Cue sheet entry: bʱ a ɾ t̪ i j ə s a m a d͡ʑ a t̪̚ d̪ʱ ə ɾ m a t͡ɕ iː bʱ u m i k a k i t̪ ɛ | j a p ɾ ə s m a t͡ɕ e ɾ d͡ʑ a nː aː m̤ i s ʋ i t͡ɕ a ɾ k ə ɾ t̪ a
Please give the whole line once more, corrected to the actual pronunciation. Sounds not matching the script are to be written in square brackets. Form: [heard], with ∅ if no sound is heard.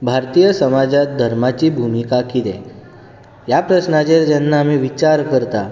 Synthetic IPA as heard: bʱ a ɾ t̪ i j ə s [ə] m a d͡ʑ a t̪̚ d̪ʱ ə ɾ m a t͡ɕ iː bʱ u m i k a k i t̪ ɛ | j a p ɾ ə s [n] a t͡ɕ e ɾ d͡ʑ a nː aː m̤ i [∅] ʋ i t͡ɕ a ɾ k ə ɾ t̪ a